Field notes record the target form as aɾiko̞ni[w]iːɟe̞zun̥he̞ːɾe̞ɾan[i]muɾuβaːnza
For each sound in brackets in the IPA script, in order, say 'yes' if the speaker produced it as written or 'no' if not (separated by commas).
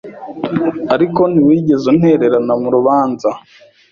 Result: yes, no